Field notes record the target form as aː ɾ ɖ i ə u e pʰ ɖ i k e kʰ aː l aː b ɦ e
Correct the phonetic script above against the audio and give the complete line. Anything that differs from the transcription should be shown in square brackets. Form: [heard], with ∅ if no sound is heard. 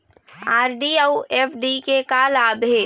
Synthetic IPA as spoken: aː ɾ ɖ i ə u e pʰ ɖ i k e [k] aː l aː b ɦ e